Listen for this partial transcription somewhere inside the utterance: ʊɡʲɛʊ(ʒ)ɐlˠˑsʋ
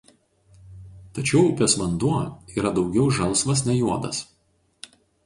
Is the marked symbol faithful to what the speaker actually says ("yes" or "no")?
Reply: yes